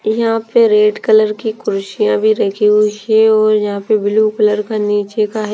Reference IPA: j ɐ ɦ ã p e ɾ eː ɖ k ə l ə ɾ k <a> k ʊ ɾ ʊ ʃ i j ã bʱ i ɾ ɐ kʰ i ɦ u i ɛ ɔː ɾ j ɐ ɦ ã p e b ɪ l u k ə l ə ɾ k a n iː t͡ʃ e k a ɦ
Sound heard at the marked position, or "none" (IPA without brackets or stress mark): i